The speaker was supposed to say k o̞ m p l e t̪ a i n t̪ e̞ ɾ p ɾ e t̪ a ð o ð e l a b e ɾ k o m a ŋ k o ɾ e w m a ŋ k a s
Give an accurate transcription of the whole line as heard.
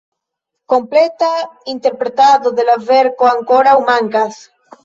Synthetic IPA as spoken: k o̞ m p l e t̪ a i n t̪ e̞ ɾ p ɾ e t̪ a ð o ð e l a v e ɾ k o a ŋ k o ɾ a w m a ŋ k a s